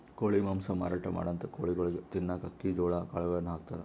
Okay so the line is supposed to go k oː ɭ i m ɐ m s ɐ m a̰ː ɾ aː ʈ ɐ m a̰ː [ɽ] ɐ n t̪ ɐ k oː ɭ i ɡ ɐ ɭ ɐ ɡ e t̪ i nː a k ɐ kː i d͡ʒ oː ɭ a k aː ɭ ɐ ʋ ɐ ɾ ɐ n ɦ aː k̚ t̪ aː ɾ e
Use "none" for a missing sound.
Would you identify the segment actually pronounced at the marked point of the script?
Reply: ɽ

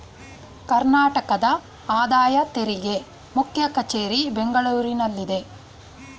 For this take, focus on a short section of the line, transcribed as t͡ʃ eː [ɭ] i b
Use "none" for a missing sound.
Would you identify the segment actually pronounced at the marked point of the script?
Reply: ɾ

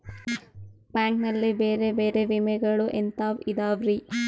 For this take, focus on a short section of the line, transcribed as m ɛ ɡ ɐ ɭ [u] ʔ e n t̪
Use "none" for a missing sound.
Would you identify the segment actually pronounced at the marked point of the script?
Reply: u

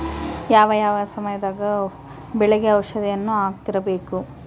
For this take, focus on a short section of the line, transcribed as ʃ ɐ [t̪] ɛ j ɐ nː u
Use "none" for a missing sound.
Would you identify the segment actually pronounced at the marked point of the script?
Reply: d̪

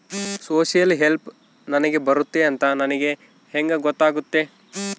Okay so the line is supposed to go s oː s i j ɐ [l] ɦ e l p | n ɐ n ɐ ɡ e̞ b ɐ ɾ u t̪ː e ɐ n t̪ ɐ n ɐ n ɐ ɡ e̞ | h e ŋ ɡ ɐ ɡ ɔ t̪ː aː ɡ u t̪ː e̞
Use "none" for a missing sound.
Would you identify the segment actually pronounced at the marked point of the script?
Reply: l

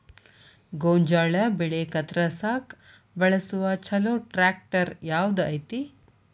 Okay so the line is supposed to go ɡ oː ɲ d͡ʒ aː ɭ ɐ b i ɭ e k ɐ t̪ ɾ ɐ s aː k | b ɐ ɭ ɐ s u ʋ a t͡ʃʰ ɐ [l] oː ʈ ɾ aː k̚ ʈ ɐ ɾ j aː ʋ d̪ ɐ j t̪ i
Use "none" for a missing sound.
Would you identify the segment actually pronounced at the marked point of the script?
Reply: l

